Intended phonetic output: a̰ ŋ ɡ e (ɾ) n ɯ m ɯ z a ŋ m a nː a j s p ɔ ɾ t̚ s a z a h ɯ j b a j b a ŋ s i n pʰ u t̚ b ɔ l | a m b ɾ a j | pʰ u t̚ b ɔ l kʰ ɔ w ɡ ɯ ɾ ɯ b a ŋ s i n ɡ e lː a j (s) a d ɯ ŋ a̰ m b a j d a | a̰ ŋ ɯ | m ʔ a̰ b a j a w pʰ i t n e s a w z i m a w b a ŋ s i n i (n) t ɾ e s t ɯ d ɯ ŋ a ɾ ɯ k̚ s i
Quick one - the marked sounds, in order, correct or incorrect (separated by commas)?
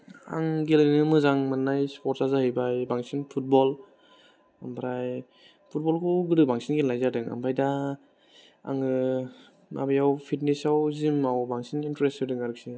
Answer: incorrect, incorrect, correct